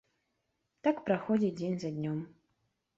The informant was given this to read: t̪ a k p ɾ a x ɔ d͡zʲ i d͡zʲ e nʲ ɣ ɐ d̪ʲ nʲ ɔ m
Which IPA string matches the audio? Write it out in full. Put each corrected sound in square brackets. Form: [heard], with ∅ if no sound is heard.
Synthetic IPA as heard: t̪ a k p ɾ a x ɔ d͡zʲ i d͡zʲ e nʲ [z] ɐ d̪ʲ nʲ ɔ m